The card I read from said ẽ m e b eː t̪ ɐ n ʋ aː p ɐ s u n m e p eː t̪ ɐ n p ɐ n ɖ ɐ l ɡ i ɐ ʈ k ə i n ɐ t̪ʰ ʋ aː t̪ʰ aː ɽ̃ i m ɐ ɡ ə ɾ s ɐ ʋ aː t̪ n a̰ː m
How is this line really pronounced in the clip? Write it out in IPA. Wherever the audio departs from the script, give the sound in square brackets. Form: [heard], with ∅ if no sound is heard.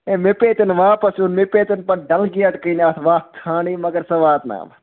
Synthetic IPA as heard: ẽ m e [p] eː t̪ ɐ n ʋ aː p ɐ s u n m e p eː t̪ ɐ n p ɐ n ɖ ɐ l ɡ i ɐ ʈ k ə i n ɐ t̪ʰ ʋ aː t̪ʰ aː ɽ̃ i m ɐ ɡ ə ɾ s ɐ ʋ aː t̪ n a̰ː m